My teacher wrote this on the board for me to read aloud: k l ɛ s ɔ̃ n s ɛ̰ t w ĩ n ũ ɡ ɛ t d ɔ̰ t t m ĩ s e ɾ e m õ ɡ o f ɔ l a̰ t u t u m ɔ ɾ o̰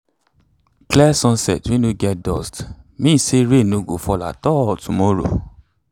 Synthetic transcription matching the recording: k l ɛ s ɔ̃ n s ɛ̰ t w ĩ n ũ ɡ ɛ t d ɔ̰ s t m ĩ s e ɾ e n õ ɡ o f ɔ l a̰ t ɔ t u m ɔ ɾ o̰